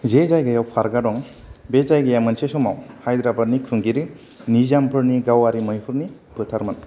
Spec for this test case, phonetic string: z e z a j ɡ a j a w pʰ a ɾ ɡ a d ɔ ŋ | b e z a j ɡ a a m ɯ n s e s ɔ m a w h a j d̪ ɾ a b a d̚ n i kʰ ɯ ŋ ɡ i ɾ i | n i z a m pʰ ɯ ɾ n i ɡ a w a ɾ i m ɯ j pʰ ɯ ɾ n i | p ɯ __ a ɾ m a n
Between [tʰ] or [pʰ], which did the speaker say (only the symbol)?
tʰ